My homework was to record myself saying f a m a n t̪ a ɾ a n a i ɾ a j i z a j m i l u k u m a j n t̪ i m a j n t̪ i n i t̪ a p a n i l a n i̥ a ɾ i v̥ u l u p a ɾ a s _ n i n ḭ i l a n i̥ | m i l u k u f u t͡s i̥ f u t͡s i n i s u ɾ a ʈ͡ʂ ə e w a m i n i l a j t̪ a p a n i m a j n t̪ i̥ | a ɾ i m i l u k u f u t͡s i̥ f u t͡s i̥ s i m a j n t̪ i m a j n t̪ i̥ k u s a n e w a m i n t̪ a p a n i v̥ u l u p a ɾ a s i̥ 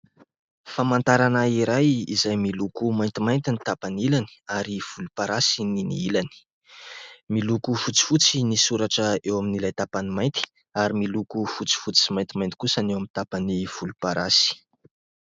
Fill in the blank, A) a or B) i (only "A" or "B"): B